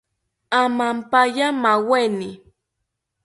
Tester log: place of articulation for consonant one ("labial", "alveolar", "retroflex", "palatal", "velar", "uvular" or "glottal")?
labial